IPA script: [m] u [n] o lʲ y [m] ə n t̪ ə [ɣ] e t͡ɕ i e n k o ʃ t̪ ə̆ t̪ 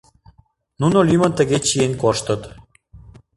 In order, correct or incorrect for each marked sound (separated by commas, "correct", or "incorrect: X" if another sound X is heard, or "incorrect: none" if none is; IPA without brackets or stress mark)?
incorrect: n, correct, correct, correct